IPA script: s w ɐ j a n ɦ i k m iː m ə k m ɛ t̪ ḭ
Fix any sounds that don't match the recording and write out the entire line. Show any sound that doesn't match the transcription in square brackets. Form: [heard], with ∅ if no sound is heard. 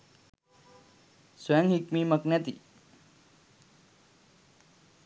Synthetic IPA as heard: s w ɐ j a [ŋ] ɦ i k m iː m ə k [n] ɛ t̪ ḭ